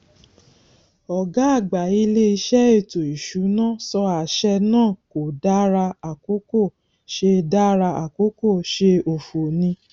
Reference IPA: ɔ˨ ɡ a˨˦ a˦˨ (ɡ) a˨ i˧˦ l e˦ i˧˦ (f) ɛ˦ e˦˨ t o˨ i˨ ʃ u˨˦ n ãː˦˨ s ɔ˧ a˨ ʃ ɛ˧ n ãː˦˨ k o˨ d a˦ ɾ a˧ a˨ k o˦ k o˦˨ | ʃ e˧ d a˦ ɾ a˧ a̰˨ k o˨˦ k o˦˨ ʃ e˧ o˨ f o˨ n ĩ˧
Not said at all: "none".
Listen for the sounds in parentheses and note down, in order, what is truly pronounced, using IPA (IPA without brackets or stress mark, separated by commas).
ɡ͡b, ʃ